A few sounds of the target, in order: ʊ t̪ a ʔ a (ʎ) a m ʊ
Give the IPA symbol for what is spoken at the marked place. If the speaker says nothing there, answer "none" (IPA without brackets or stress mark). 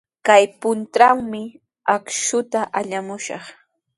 ʎ